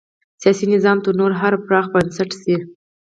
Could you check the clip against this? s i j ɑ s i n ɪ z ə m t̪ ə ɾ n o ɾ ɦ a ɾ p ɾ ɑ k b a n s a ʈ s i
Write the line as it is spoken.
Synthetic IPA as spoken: s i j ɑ s i n ɪ z ɑ m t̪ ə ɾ n o ɾ ɦ a ɾ p ɾ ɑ x b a n s a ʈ s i